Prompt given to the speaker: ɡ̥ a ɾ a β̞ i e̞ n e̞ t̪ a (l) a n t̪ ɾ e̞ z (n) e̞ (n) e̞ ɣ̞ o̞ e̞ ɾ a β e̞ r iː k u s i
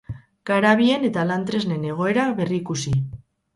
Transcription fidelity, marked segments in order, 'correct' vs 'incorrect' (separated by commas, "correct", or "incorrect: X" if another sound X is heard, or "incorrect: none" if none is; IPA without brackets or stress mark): correct, correct, correct